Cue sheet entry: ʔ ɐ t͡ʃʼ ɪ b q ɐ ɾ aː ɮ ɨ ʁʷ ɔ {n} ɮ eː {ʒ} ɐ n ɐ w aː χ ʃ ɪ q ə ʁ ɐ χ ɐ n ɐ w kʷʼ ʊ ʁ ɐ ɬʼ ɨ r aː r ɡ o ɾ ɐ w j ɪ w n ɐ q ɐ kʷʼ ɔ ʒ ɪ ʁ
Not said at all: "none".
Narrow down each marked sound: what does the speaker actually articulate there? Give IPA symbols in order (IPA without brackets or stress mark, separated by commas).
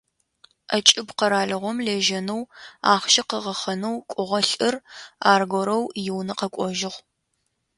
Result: m, ʒ